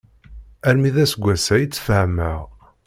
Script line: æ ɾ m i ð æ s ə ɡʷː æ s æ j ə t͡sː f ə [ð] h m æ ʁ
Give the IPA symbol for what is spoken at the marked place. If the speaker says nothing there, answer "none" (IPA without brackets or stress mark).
none